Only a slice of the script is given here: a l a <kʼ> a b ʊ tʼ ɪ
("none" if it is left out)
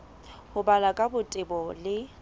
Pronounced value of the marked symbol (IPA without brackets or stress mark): kʼ